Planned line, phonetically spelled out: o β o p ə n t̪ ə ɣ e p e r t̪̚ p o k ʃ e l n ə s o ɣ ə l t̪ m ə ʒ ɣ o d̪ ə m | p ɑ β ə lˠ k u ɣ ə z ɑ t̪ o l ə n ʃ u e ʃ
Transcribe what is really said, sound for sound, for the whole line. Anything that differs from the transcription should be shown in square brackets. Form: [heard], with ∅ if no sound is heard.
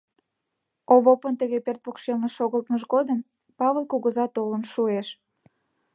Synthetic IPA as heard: o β o p ə n t̪ ə ɣ e p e r t̪̚ p o k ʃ e l n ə [ʃ] o ɣ ə l t̪ m ə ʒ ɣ o d̪ ə m | p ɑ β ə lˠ k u ɣ ə z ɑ t̪ o l ə n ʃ u e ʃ

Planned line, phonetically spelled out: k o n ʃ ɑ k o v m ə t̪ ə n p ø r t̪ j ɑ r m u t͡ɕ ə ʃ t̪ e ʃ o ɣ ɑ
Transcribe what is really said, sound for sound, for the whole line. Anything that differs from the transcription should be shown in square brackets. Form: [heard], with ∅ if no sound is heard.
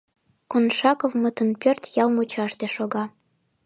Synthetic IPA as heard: k o n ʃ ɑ k o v m ə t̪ ə n p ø r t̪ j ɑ [l] m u t͡ɕ [ɑ] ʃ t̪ e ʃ o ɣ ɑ

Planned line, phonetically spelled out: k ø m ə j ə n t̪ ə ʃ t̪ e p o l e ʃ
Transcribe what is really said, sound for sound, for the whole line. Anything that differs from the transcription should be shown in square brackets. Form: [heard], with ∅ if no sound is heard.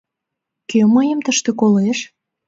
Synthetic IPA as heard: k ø m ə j ə [m] t̪ ə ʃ t̪ e [k] o l e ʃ

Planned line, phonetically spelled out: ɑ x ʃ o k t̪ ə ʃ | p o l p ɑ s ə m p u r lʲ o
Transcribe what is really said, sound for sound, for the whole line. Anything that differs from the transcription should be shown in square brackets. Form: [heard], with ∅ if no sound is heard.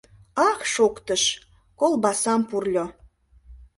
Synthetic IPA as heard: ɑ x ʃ o k t̪ ə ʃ | [k] o l [b] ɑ s [ɑ] m p u r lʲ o

